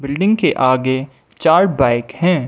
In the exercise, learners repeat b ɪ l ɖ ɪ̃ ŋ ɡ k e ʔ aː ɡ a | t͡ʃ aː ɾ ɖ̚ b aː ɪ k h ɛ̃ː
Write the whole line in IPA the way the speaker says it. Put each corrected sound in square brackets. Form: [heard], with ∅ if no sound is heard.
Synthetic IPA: b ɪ l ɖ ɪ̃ ŋ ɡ k e ʔ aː ɡ [e] | t͡ʃ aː ɾ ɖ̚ b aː ɪ k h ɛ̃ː